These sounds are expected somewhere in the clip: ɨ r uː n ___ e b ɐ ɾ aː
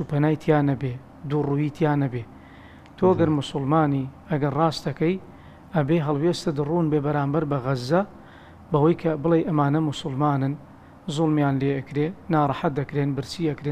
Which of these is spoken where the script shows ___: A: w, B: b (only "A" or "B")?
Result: B